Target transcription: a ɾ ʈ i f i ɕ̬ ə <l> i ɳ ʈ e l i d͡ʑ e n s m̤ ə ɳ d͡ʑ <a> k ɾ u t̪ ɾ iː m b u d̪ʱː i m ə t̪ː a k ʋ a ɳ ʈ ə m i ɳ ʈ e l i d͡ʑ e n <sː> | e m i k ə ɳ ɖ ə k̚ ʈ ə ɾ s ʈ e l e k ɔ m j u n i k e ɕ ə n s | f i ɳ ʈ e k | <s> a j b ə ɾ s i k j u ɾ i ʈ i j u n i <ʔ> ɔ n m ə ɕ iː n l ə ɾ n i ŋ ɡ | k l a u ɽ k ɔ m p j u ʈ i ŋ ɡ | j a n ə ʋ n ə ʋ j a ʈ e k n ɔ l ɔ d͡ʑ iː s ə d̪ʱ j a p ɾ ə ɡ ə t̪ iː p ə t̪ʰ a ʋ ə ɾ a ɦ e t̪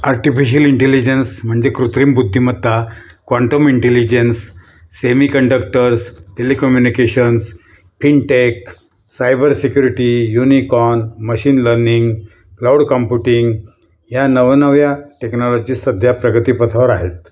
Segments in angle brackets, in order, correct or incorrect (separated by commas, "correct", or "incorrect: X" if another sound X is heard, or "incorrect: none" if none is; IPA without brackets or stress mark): correct, incorrect: e, correct, correct, incorrect: k